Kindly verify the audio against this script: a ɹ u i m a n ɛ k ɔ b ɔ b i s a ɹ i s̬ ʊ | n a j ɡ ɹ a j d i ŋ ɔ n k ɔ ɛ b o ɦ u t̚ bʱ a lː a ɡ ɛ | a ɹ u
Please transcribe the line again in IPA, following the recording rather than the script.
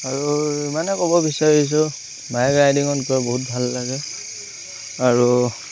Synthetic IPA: a ɹ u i m a n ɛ k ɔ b ɔ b i s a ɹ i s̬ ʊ | m a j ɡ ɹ a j d i ŋ ɔ n k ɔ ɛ b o ɦ u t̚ bʱ a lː a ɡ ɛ | a ɹ u